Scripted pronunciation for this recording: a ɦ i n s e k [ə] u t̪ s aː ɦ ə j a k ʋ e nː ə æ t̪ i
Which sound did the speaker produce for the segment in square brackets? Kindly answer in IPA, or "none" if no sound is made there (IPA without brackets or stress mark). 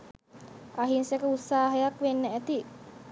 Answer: ə